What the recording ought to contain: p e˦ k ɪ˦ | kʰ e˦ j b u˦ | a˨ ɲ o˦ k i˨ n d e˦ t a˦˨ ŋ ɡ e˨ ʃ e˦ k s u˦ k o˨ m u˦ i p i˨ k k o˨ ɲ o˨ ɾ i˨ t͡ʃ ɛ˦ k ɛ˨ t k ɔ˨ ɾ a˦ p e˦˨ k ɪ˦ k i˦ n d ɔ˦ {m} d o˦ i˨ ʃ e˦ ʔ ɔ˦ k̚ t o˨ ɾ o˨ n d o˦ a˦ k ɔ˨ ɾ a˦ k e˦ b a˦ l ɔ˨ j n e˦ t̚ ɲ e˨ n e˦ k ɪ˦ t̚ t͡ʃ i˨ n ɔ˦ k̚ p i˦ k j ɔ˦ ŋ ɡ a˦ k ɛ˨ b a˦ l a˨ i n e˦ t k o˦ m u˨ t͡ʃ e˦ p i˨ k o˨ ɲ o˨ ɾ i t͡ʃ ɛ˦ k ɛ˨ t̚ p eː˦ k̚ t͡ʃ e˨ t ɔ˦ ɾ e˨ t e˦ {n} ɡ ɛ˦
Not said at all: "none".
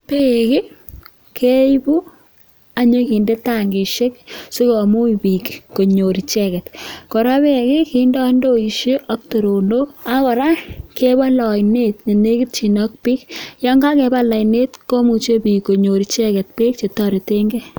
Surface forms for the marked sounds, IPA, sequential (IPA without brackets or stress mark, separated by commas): n, ŋ